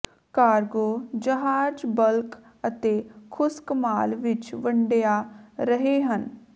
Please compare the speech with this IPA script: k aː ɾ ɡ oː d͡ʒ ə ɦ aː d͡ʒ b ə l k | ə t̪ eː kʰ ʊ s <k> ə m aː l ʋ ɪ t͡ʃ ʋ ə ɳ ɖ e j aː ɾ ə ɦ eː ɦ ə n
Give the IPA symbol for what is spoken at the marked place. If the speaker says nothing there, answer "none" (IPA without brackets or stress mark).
k